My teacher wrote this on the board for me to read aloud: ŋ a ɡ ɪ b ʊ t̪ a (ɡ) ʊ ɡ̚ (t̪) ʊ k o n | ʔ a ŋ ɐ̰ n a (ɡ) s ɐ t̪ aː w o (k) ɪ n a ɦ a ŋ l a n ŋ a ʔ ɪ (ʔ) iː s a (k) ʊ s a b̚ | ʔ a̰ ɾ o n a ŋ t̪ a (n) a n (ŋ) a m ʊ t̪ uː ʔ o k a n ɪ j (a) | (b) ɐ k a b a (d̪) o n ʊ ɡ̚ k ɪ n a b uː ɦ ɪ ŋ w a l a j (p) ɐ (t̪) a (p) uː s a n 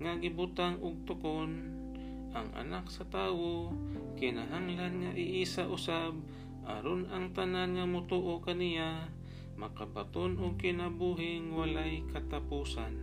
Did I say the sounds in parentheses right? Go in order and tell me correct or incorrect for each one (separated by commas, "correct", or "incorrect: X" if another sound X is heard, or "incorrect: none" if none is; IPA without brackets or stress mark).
incorrect: ŋ, correct, incorrect: k, correct, correct, incorrect: ʔ, correct, correct, correct, incorrect: m, incorrect: t̪, incorrect: k, correct, correct